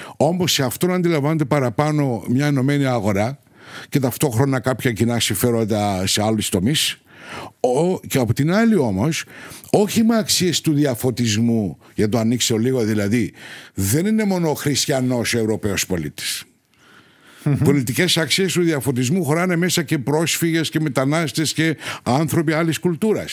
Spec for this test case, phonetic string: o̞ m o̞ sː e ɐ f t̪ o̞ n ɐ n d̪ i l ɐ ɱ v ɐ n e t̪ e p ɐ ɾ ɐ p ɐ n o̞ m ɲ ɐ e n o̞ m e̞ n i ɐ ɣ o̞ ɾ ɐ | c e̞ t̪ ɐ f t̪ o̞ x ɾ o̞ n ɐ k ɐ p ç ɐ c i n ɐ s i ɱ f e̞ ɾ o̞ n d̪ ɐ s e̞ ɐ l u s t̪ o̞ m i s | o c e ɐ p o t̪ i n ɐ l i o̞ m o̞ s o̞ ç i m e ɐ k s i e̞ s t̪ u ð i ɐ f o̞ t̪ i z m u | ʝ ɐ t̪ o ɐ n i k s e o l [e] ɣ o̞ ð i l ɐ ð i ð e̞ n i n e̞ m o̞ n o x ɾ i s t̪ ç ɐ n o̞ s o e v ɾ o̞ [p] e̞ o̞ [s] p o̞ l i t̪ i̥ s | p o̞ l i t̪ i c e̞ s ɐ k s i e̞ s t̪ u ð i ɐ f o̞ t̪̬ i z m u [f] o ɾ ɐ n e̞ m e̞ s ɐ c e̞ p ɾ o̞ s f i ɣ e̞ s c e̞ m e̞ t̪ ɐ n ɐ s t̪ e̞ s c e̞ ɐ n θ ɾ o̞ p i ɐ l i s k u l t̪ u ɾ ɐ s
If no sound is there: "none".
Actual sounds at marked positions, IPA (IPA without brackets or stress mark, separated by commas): i, p, s, x